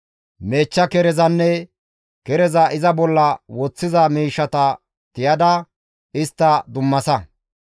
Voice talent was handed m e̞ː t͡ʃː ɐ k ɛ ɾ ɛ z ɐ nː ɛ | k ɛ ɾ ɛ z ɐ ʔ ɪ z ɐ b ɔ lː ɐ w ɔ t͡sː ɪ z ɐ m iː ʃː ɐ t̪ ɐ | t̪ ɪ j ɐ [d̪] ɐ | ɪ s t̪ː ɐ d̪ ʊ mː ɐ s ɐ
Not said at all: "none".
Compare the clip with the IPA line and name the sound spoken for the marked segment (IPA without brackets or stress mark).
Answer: d̪